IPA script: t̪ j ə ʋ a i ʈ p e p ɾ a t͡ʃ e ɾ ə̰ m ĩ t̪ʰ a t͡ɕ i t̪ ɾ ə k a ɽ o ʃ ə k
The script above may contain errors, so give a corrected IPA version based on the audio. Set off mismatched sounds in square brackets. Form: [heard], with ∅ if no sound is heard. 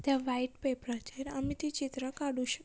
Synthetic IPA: t̪ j [a] ʋ a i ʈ p e p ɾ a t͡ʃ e ɾ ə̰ m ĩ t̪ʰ [i] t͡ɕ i t̪ ɾ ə k a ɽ [u] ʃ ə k